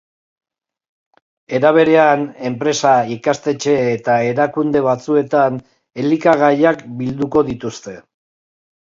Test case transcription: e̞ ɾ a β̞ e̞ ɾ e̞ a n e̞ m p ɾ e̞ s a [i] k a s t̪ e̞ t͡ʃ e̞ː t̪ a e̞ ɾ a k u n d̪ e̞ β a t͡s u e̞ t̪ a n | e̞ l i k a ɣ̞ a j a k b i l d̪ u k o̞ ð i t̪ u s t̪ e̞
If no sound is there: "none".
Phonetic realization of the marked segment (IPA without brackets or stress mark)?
i